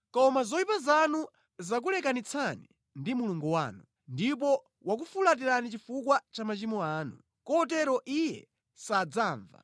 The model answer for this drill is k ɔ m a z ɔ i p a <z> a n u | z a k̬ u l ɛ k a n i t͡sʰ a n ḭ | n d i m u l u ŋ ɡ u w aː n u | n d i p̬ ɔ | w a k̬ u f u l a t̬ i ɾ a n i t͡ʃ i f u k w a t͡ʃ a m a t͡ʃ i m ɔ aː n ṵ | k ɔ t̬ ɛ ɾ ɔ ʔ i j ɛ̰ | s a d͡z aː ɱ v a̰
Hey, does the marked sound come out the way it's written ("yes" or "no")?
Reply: yes